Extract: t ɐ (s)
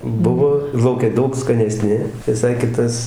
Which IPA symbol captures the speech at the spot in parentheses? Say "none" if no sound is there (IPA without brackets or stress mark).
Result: s